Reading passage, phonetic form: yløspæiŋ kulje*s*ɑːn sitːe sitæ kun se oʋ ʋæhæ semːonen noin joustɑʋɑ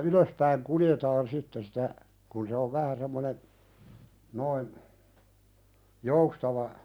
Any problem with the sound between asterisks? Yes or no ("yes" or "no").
yes